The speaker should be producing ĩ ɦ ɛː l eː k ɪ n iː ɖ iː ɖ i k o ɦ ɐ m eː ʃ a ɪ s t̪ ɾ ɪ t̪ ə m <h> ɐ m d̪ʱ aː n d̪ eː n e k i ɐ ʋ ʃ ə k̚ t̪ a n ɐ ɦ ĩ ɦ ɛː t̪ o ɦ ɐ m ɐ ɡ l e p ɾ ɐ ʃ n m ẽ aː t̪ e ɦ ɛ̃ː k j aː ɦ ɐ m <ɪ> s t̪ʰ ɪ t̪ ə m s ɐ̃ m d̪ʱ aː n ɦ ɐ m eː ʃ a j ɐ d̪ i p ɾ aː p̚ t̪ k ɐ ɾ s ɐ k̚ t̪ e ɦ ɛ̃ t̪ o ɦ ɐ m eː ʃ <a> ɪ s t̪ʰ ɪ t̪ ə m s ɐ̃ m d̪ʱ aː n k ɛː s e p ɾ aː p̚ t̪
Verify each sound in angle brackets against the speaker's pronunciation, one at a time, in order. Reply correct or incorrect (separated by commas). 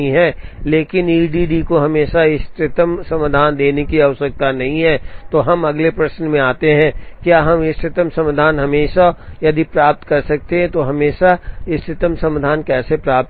incorrect, correct, correct